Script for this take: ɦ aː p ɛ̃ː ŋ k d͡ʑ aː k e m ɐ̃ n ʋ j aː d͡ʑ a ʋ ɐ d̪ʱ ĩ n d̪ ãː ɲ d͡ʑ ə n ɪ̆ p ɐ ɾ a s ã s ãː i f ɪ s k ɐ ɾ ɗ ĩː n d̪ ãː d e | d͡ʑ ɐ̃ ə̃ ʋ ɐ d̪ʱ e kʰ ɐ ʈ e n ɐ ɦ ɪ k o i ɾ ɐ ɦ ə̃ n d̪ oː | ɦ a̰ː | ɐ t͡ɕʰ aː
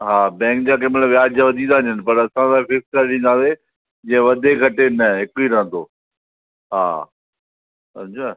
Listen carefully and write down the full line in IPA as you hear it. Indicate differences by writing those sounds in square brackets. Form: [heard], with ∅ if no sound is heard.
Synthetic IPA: ɦ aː [b] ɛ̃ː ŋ k d͡ʑ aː k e m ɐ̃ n ʋ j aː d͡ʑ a ʋ ɐ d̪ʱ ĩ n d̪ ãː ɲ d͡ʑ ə n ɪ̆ p ɐ ɾ [ɐ] s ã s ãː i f ɪ s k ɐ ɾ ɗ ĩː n d̪ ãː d e | d͡ʑ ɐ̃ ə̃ ʋ ɐ d̪ʱ e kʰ ɐ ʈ e n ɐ ɦ ɪ k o i ɾ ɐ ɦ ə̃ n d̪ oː | ɦ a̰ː | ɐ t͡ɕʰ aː